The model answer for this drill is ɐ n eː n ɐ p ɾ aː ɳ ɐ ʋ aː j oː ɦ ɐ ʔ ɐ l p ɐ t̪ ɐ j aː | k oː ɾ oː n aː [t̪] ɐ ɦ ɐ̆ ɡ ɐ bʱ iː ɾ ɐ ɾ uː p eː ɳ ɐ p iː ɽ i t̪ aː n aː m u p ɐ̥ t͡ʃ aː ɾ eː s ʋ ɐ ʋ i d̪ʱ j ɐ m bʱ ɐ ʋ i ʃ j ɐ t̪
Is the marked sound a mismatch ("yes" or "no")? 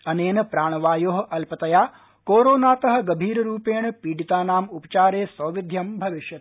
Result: no